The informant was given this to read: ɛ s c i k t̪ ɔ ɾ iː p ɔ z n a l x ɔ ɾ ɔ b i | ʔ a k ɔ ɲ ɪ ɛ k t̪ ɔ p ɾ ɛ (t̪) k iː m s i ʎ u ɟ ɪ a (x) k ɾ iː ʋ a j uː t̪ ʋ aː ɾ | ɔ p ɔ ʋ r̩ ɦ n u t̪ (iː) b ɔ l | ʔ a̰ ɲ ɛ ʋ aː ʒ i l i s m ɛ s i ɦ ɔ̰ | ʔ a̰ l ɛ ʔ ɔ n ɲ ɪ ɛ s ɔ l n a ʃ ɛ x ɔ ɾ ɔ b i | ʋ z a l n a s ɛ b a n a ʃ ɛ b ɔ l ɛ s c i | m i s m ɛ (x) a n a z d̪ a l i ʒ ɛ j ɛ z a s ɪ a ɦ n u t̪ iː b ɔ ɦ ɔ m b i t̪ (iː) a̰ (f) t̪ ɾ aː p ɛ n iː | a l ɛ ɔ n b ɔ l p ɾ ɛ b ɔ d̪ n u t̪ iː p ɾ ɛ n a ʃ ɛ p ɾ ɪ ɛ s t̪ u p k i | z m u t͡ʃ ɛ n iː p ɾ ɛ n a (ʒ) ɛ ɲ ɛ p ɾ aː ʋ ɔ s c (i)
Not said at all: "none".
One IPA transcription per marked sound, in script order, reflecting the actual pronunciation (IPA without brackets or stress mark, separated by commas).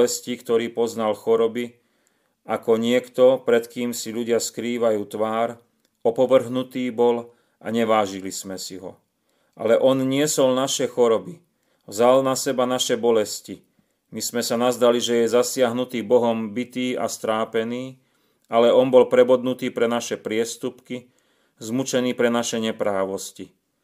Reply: t̪, s, iː, s, iː, s, ʃ, i